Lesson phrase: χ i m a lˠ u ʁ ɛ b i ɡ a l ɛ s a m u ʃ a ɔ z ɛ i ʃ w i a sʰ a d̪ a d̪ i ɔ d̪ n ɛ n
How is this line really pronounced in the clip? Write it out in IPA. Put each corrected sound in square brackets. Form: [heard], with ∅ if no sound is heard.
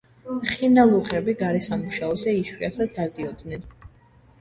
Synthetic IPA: χ i [n] a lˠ u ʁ ɛ b i ɡ a [ɾ] ɛ s a m u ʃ a ɔ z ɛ i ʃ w i a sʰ a d̪ a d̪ i ɔ d̪ n ɛ n